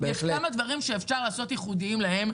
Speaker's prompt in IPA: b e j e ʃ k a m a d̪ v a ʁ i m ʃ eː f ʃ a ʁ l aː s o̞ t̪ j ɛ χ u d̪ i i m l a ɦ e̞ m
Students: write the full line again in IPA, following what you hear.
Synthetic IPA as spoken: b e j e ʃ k a m a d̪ v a ʁ i m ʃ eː f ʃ a ʁ l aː s o̞ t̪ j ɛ χ u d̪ i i m l a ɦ e̞ m